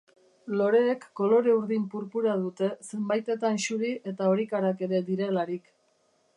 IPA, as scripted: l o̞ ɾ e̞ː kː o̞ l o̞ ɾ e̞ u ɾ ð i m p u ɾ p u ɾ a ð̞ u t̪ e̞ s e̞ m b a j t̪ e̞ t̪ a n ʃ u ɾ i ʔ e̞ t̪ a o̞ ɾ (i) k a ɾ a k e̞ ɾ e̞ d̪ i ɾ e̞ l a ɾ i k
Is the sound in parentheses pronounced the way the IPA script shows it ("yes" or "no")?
yes